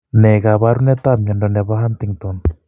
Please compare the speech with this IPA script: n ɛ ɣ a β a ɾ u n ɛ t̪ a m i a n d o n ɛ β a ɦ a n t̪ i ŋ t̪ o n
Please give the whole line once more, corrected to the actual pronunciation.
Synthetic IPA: n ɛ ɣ a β a ɾ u n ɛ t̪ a m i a n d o n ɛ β a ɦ a n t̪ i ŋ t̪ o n